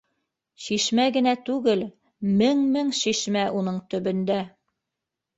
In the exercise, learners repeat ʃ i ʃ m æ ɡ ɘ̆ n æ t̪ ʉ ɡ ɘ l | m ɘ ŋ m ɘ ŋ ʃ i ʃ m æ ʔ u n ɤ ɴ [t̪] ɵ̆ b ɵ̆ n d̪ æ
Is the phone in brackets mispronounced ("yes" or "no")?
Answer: no